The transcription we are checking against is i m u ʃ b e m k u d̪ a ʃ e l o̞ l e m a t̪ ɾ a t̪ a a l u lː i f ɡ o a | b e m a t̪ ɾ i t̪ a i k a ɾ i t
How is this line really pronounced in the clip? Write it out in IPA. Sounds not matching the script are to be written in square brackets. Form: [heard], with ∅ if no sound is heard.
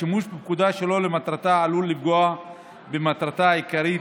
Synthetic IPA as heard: i m u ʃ b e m k u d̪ a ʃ e l o̞ l e m a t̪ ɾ a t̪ a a l u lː i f ɡ o a | b e m a t̪ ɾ [a] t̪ a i k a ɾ i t